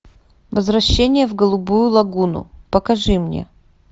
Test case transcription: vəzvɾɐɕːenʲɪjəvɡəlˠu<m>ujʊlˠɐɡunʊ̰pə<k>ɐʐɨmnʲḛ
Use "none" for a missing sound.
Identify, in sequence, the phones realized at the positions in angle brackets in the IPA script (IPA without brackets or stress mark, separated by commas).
b, k